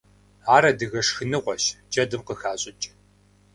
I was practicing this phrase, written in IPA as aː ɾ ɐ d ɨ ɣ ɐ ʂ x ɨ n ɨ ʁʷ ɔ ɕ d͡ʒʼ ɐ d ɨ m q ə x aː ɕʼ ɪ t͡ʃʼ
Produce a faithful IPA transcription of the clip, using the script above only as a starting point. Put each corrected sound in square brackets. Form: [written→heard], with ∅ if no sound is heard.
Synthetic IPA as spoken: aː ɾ ɐ d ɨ ɣ ɐ ʂ x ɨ n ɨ ʁʷ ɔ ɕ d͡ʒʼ ɐ d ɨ m q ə x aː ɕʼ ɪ t͡ʃʼ